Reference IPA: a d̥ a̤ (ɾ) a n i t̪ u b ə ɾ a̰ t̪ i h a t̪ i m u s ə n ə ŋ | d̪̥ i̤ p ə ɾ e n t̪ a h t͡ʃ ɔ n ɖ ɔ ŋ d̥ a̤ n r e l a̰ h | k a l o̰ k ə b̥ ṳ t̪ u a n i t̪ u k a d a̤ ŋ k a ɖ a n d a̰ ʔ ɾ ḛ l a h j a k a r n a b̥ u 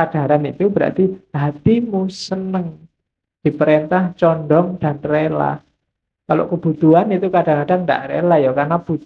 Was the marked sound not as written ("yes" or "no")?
no